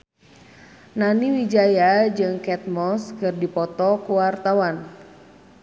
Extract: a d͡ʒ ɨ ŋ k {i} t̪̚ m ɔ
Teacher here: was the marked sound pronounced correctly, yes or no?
no